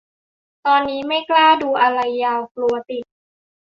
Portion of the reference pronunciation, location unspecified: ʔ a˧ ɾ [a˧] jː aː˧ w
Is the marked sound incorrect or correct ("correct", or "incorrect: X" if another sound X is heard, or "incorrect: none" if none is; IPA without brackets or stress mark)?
correct